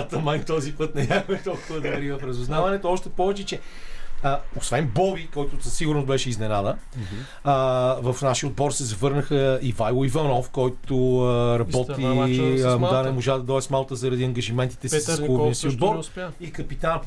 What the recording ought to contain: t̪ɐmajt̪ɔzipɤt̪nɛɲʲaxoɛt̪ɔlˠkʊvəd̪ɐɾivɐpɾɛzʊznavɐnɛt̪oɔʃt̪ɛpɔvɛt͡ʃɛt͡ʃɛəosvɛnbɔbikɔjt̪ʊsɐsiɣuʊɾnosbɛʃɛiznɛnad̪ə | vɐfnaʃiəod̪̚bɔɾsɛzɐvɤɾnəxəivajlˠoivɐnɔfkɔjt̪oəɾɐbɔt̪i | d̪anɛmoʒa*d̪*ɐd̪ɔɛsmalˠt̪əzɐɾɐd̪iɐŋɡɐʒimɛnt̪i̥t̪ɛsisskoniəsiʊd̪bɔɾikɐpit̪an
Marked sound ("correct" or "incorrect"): correct